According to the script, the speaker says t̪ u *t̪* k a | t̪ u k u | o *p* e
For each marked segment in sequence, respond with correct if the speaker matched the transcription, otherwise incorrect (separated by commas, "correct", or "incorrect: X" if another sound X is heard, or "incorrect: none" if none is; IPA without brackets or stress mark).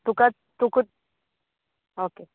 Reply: incorrect: none, incorrect: k